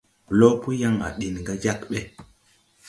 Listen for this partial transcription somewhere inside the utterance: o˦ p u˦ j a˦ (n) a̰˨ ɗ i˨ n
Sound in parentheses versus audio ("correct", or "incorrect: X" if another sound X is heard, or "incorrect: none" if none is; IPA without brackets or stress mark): incorrect: ŋ